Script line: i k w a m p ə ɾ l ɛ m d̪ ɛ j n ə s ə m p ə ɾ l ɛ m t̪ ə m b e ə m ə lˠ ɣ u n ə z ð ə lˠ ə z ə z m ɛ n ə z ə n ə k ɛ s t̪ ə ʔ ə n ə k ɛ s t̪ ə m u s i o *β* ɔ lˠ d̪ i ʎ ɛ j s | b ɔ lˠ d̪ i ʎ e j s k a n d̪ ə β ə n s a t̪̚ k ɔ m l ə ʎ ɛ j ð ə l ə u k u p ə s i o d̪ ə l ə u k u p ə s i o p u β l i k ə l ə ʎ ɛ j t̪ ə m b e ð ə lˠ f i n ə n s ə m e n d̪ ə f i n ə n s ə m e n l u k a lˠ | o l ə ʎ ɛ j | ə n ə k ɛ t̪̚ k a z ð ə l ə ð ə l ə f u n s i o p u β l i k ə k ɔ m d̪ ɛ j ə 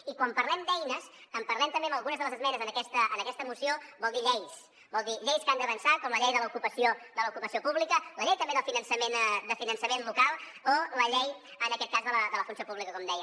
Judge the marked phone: incorrect: b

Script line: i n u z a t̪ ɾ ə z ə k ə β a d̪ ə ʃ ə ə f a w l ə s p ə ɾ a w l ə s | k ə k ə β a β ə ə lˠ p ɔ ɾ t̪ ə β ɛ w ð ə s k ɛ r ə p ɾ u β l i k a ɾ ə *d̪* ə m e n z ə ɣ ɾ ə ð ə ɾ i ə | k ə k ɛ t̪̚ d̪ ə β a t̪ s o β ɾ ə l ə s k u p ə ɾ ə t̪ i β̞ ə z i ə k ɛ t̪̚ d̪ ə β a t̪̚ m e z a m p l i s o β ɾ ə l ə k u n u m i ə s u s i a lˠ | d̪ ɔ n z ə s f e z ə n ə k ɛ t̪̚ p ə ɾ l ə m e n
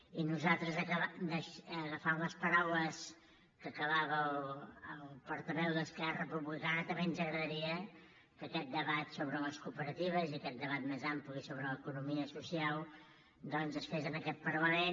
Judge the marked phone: incorrect: t̪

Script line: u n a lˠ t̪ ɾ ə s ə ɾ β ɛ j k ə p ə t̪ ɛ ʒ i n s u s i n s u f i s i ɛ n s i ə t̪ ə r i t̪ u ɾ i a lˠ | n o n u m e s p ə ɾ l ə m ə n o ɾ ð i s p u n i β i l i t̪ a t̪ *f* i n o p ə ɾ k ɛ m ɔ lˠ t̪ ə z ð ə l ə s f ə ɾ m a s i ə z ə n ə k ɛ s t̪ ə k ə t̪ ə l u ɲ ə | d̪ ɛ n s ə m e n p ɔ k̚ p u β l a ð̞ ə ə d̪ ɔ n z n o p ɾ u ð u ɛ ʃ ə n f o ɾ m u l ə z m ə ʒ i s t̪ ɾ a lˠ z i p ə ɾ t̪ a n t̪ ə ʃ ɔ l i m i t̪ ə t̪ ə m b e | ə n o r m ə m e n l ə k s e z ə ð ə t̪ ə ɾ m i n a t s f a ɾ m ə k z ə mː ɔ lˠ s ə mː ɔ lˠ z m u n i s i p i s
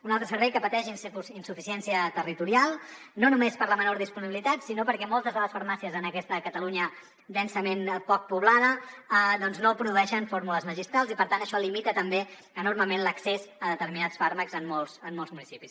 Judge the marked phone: incorrect: s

